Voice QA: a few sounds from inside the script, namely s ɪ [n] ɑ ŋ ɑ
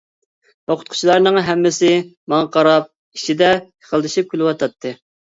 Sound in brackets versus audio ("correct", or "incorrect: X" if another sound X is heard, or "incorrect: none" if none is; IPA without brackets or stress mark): incorrect: m